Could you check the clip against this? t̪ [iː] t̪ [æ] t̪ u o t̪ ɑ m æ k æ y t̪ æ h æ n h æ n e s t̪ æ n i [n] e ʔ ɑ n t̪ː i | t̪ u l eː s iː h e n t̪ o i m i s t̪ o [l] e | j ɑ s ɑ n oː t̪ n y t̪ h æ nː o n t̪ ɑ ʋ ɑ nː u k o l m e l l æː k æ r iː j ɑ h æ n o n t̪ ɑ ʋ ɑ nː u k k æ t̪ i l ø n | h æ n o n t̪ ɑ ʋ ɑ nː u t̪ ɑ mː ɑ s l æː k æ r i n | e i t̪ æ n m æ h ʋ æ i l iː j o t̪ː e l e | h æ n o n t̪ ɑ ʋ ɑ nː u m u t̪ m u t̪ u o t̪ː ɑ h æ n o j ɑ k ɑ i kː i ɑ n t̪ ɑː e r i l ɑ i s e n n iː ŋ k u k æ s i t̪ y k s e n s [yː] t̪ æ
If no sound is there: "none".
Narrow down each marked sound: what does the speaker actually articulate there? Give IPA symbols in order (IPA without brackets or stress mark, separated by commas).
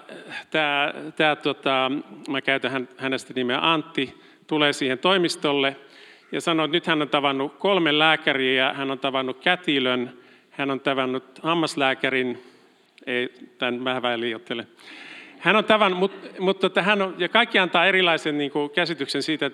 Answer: æː, æː, m, lː, iː